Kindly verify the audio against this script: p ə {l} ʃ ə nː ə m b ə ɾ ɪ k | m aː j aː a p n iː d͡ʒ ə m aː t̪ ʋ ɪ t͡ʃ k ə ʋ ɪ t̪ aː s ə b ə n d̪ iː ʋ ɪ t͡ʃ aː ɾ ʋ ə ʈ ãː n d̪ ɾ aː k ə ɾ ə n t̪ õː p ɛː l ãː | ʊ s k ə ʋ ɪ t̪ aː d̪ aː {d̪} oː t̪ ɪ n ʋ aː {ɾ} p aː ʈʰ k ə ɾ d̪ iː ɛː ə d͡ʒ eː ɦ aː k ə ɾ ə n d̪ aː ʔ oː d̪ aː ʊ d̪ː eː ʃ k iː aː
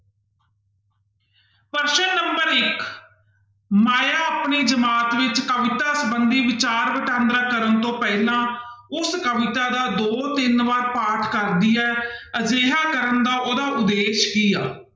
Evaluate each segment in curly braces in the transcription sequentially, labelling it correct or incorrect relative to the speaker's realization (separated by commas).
incorrect, correct, correct